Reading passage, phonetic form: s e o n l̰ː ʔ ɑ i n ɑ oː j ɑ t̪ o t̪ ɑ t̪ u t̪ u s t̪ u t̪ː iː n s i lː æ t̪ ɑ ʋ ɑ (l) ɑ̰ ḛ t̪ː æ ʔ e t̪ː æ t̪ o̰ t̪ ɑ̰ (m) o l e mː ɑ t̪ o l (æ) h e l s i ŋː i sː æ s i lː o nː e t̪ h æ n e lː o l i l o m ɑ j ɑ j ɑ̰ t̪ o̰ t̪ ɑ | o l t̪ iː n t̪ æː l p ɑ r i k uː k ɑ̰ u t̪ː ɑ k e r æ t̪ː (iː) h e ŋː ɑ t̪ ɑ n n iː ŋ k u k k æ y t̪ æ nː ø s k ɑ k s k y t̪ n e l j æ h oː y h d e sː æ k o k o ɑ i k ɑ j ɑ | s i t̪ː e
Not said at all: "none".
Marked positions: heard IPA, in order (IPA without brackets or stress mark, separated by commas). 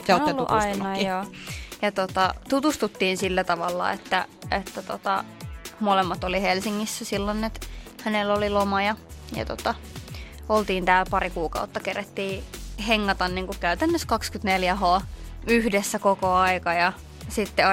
lː, m, i, iː